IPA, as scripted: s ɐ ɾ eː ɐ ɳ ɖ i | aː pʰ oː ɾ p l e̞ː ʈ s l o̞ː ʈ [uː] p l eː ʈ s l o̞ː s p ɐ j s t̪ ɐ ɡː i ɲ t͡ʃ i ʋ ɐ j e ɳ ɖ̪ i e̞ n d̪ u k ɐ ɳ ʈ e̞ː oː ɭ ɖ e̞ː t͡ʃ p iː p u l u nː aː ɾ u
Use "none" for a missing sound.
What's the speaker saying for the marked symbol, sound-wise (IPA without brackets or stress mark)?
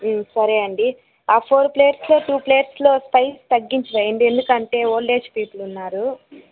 uː